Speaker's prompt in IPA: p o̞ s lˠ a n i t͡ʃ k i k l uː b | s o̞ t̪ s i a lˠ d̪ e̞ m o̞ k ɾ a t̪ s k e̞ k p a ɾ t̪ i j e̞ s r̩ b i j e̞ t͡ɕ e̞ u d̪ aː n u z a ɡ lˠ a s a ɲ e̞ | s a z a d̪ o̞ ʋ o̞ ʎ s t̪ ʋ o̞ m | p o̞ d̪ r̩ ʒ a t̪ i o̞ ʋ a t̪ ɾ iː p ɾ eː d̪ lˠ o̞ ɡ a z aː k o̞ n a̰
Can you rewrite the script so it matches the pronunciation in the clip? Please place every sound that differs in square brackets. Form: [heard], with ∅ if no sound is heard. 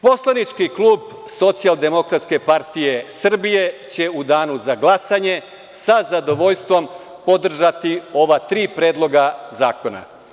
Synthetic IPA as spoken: p o̞ s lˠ a n i t͡ʃ k i k l uː b | s o̞ t̪ s i a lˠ d̪ e̞ m o̞ k ɾ a t̪ s k e̞ [∅] p a ɾ t̪ i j e̞ s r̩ b i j e̞ t͡ɕ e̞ u d̪ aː n u z a ɡ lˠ a s a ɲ e̞ | s a z a d̪ o̞ ʋ o̞ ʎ s t̪ ʋ o̞ m | p o̞ d̪ r̩ ʒ a t̪ i o̞ ʋ a t̪ ɾ iː p ɾ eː d̪ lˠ o̞ ɡ a z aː k o̞ n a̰